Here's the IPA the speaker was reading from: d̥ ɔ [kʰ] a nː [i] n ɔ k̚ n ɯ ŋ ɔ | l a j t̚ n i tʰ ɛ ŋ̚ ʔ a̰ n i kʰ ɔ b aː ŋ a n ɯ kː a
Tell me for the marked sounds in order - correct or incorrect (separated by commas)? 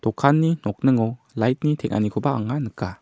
correct, correct